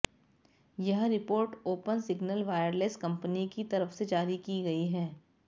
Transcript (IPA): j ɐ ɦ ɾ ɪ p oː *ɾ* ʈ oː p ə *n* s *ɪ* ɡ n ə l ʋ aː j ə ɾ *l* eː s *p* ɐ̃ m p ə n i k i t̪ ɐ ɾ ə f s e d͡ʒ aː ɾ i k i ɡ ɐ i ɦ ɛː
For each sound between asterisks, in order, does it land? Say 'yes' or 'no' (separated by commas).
yes, yes, yes, yes, no